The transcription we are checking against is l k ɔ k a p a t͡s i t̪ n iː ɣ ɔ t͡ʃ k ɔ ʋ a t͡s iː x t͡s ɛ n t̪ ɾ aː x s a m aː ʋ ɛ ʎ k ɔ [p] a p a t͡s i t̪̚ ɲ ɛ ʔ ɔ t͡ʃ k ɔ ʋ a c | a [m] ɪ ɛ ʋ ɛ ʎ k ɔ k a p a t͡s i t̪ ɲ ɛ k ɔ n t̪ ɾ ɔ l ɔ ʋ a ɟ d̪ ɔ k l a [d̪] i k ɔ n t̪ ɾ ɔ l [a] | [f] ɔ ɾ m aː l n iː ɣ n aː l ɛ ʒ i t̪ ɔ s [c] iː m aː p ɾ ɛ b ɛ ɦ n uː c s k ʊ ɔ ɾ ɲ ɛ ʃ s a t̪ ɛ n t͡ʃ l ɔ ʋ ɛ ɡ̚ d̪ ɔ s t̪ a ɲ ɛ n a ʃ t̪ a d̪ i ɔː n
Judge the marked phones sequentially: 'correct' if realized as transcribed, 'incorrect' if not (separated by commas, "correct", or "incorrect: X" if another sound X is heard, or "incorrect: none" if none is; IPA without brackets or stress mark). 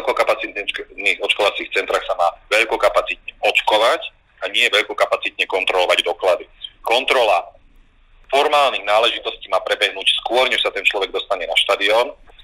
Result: incorrect: k, incorrect: ɲ, correct, correct, correct, correct